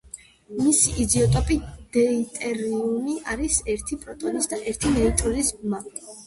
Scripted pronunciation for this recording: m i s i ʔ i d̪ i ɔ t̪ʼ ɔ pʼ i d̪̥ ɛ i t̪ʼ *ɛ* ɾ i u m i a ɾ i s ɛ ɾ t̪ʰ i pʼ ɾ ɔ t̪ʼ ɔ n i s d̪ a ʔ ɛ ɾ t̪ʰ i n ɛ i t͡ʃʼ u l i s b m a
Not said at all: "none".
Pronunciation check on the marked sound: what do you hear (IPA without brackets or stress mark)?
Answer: ɛ